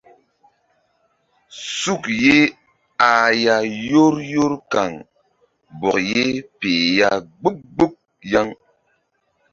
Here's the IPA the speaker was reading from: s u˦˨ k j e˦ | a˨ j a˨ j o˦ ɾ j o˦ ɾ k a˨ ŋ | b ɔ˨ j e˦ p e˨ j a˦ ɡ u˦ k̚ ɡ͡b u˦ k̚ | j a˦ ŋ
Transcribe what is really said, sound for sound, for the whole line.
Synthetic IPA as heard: s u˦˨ k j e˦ | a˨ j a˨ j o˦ ɾ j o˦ ɾ k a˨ ŋ | b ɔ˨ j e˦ p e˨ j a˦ ɡ͡b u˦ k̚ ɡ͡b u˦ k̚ | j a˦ ŋ